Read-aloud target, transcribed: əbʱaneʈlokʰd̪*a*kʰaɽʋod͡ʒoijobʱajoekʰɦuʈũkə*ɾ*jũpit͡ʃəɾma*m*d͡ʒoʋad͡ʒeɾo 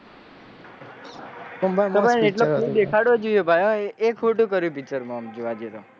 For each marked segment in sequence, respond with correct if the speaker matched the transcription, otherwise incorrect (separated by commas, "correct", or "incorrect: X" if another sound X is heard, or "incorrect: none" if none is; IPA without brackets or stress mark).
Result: incorrect: e, correct, correct